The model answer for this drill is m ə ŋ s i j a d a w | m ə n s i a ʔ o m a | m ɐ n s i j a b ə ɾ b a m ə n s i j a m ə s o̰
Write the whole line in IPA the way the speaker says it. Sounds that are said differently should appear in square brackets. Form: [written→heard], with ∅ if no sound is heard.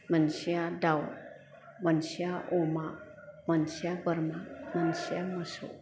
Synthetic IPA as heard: m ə [ŋ→n] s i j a d a w | m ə n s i a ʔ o m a | m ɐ n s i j a b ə ɾ [b→m] a m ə n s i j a m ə s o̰